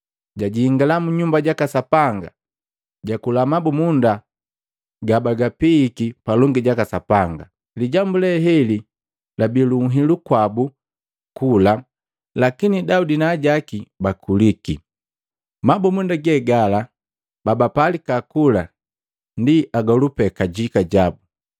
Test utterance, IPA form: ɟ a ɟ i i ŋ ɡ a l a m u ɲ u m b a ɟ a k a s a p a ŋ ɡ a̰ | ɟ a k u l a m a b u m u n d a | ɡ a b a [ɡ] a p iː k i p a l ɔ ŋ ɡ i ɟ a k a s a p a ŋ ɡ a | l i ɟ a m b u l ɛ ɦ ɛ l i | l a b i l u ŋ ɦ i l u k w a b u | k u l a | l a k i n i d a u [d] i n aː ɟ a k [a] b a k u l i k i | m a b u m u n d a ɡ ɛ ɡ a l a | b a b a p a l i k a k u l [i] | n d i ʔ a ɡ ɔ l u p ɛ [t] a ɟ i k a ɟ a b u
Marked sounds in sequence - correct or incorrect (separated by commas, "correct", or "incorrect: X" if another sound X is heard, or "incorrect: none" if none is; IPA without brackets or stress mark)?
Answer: correct, correct, incorrect: i, incorrect: a, incorrect: k